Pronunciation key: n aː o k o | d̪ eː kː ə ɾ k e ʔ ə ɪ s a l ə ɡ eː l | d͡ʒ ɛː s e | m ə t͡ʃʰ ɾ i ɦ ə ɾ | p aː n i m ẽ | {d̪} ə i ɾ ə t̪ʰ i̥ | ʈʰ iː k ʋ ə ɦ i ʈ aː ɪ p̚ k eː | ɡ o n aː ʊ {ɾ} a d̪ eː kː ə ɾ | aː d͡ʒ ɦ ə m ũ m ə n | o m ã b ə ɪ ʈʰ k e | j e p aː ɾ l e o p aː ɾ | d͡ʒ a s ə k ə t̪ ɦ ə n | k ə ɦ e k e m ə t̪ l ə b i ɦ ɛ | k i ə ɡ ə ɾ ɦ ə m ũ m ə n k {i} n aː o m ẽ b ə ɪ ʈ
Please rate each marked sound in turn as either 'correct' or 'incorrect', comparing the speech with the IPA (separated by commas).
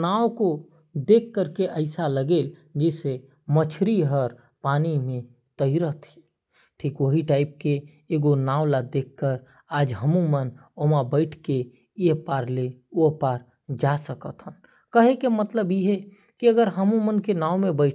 incorrect, incorrect, incorrect